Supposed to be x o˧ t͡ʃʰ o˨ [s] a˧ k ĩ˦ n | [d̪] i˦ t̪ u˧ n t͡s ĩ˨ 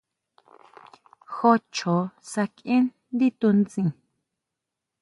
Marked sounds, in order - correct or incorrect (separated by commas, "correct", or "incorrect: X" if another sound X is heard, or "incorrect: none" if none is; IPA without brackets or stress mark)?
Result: correct, correct